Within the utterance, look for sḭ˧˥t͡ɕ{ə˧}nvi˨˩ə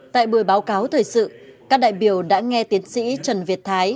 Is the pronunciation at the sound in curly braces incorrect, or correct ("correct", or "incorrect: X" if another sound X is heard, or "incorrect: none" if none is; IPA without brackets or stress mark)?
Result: incorrect: ə˨˩